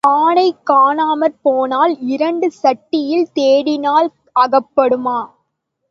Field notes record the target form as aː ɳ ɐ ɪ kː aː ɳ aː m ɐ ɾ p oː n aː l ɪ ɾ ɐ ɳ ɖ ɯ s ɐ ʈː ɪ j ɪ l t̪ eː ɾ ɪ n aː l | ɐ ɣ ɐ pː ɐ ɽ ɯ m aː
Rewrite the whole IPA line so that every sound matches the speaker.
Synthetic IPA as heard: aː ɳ ɐ ɪ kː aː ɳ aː m ɐ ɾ p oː n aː l ɪ ɾ ɐ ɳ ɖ ɯ s ɐ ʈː ɪ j ɪ l t̪ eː ɽ ɪ n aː l | ɐ ɣ ɐ pː ɐ ɽ ɯ m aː